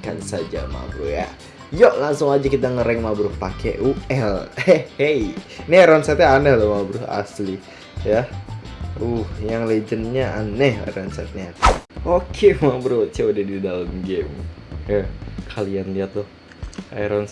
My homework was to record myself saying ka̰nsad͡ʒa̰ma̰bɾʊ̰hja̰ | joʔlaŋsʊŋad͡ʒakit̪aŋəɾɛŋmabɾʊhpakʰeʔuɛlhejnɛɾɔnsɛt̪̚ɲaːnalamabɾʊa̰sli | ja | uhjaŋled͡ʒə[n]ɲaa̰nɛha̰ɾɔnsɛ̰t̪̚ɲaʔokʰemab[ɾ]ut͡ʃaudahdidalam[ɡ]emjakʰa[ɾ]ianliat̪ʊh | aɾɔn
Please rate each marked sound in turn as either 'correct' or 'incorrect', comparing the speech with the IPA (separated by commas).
correct, correct, correct, incorrect